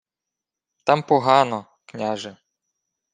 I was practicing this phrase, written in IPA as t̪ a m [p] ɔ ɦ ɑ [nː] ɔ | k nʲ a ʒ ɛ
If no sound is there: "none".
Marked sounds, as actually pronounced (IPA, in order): p, n

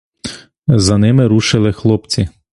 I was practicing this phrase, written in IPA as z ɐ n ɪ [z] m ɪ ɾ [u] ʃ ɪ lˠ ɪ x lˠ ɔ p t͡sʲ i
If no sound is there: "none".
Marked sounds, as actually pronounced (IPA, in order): none, u

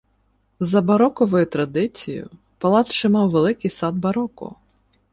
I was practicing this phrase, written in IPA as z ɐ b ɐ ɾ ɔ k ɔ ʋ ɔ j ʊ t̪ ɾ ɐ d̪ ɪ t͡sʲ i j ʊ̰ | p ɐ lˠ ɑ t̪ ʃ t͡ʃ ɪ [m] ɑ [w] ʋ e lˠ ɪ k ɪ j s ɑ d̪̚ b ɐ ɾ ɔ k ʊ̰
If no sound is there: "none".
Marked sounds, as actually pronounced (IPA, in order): m, w

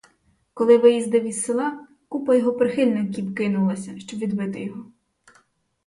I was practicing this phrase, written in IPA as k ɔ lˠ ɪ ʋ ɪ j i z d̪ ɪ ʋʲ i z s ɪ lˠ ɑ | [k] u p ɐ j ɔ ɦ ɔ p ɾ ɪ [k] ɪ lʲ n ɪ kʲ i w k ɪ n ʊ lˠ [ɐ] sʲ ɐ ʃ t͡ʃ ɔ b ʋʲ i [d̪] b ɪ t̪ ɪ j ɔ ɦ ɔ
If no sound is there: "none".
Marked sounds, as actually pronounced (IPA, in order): k, x, ɐ, d̪

